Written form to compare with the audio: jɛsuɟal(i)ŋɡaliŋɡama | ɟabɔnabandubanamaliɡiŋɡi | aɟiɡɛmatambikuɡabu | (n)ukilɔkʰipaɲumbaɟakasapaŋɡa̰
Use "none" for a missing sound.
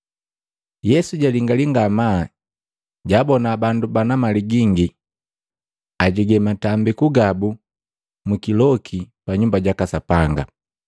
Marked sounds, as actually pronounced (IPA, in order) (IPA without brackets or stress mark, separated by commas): i, m